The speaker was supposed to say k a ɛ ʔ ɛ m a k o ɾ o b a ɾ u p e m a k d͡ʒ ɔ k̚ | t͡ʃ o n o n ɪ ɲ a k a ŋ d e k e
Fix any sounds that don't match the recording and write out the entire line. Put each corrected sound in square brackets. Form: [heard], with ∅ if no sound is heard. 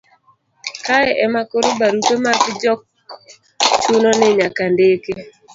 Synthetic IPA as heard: k a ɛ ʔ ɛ m a k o ɾ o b a ɾ u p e m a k d͡ʒ ɔ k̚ | t͡ʃ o n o n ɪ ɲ a k a [n] d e k e

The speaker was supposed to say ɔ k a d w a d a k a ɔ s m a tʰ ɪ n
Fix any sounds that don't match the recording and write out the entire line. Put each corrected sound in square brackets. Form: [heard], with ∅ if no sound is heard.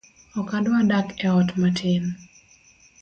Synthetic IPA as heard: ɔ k a d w a d a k [ɛ] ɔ [t] m a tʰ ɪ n

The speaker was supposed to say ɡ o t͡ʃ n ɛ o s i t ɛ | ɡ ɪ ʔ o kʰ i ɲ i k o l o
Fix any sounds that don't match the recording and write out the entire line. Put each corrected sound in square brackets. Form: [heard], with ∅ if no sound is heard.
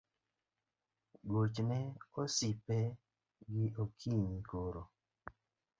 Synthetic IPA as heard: ɡ o t͡ʃ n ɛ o s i [p] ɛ | ɡ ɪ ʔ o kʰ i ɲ i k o [ɾ] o

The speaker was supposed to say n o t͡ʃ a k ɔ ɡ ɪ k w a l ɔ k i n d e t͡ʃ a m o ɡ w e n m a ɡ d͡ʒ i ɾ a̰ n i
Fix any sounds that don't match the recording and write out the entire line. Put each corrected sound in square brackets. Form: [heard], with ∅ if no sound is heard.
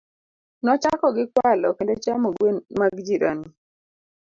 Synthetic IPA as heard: n [ɔ] t͡ʃ a k ɔ ɡ ɪ k w a l ɔ k [e] n d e t͡ʃ a m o ɡ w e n m a ɡ d͡ʒ i ɾ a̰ n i

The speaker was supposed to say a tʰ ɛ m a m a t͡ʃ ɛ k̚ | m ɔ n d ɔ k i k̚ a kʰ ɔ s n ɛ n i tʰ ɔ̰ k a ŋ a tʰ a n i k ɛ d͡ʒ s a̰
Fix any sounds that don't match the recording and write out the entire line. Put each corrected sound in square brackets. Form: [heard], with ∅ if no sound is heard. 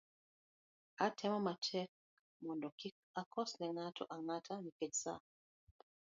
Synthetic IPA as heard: a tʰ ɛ m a m a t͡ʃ ɛ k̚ | m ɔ n d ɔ k i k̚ a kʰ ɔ s n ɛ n [a] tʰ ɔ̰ [ʔ] a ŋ a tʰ a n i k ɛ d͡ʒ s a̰

